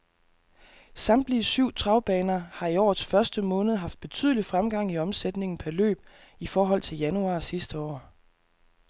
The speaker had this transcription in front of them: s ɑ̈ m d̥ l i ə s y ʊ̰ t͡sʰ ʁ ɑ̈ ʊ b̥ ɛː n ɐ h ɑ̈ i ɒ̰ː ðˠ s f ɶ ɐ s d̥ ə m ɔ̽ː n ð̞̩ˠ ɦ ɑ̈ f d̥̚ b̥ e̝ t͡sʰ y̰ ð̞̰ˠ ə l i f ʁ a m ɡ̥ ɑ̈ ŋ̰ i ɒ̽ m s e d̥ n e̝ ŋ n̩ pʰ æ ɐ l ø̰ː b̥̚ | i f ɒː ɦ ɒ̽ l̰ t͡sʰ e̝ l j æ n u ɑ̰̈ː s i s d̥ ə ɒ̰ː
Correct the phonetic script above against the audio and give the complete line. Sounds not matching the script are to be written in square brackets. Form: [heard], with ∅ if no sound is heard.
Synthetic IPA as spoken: s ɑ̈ m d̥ l i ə s y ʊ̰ t͡sʰ ʁ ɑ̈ ʊ b̥ ɛː n ɐ h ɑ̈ i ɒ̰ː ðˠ s f ɶ ɐ s d̥ ə m ɔ̽ː n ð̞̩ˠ ɦ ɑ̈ f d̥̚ b̥ e̝ t͡sʰ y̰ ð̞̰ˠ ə l i f ʁ a m ɡ̥ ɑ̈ ŋ̰ i ɒ̽ m s e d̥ n e̝ ŋ n̩ pʰ æ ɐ l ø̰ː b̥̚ | i f ɒː ɦ ɒ̽ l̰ t͡sʰ e̝ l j æ n u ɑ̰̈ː s i s d̥ ə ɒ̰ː